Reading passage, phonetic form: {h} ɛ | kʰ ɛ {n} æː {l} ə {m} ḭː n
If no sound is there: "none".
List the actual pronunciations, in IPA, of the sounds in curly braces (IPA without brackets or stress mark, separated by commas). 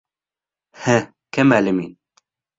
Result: h, m, l, m